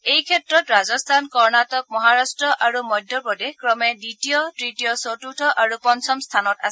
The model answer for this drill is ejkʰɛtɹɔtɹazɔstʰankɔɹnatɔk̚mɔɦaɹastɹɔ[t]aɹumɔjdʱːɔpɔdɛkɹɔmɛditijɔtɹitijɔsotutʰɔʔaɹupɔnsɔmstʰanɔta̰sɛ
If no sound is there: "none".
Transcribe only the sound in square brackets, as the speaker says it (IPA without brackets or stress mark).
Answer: ʔ